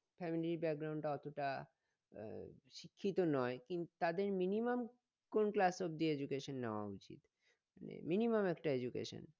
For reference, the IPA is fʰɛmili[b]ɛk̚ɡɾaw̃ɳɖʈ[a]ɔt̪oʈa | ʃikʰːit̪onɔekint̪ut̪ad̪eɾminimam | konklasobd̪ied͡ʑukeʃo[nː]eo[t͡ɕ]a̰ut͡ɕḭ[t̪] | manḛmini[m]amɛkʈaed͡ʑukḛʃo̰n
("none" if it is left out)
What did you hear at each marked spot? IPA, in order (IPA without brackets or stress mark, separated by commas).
b, a, nː, none, t̪, m